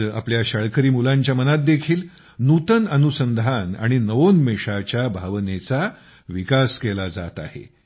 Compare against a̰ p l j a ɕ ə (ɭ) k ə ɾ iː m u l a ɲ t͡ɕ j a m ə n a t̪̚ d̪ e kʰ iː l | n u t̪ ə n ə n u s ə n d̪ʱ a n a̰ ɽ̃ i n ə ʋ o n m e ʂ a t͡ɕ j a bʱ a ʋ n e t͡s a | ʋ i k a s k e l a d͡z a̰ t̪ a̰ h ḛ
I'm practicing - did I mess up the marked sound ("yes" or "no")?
no